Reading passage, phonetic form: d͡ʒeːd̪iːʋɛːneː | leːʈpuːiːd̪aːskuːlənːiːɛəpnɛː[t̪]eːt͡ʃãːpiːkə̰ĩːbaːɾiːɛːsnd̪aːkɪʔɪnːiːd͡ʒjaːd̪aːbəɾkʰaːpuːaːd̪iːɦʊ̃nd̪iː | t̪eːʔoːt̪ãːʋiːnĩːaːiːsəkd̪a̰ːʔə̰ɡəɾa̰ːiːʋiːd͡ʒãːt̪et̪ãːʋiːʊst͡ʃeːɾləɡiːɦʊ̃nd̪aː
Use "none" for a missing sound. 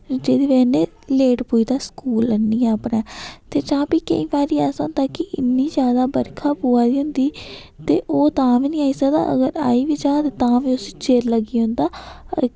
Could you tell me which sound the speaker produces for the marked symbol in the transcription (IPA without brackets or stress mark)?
t̪